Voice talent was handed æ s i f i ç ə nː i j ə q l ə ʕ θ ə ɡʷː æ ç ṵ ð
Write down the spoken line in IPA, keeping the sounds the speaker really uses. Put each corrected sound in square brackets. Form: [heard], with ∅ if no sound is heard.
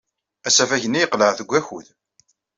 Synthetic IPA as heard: æ s [æ] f [æ] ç ə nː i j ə q l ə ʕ θ ə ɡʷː æ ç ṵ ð